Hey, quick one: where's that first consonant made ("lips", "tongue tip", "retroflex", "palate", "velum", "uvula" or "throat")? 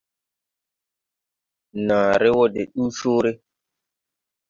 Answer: tongue tip